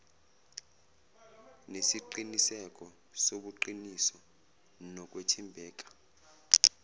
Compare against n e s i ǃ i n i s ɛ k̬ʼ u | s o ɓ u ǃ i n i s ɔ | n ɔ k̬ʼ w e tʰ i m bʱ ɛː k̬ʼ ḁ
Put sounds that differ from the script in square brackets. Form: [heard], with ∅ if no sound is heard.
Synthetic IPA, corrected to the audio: n e s i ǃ i n i s ɛ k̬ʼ [ɔ] | s o ɓ u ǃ i n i s ɔ | n ɔ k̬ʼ w e tʰ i m bʱ ɛː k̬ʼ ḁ